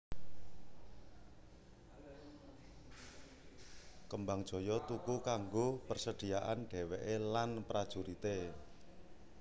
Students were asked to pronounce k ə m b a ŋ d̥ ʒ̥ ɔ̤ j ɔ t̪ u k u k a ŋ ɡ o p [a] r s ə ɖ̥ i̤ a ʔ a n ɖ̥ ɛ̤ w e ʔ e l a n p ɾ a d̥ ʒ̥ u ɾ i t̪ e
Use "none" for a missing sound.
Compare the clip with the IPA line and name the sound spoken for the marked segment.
ə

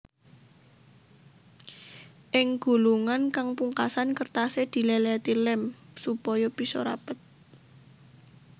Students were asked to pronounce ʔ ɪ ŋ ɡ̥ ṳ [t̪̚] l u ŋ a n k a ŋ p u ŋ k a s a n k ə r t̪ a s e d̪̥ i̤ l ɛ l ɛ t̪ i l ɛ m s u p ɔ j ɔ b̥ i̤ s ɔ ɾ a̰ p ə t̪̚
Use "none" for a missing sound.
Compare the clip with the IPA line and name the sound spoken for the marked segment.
none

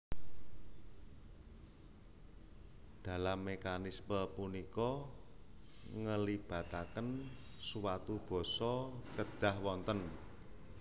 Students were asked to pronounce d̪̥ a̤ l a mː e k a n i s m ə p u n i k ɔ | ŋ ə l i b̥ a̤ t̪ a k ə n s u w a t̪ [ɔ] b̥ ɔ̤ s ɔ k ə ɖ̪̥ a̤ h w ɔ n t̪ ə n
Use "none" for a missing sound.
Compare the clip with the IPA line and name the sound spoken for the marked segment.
u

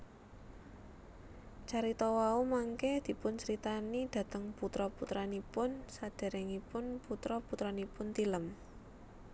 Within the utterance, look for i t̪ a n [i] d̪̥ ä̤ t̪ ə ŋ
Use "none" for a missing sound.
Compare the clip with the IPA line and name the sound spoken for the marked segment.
i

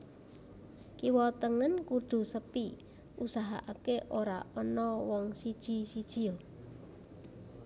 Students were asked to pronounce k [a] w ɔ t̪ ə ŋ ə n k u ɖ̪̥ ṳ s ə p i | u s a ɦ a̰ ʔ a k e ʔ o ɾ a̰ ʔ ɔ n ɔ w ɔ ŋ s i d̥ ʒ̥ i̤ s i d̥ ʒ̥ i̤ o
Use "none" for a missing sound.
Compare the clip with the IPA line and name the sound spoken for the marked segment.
i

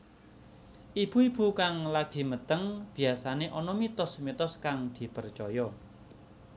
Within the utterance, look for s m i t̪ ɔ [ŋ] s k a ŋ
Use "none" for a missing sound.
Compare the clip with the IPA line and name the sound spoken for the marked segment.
none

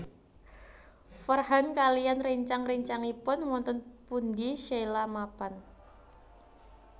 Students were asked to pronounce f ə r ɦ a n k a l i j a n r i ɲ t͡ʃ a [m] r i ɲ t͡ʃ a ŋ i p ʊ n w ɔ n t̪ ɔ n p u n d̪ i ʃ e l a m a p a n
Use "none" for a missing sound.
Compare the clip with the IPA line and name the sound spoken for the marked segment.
ŋ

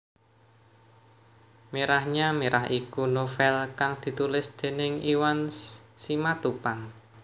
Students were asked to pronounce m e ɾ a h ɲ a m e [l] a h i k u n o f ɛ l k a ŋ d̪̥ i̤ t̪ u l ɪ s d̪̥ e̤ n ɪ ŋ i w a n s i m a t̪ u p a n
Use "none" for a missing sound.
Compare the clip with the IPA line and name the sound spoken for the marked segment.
ɾ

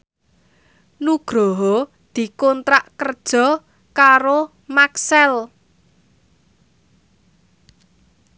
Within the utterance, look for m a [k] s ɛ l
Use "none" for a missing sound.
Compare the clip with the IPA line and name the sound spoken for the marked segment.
k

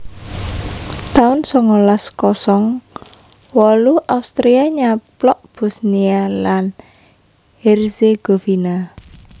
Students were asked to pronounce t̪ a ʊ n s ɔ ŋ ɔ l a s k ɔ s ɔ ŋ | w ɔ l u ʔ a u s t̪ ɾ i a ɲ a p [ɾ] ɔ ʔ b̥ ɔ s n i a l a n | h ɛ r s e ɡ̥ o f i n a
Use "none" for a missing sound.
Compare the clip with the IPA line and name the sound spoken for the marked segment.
l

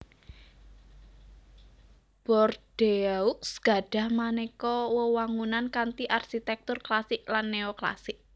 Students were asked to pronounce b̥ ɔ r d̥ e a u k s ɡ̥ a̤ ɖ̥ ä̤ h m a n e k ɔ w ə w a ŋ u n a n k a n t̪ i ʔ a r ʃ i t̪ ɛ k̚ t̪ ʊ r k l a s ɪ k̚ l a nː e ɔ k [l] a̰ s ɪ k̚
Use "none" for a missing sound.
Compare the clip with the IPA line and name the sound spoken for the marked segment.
l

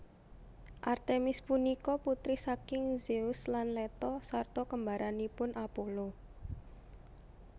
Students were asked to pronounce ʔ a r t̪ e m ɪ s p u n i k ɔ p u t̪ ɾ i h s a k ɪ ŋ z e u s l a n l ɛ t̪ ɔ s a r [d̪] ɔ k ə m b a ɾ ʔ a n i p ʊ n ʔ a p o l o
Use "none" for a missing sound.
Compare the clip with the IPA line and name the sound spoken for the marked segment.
t̪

